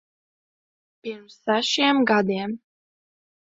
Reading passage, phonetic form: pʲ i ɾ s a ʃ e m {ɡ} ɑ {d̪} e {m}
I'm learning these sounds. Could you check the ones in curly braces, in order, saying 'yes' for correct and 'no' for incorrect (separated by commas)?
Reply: yes, yes, yes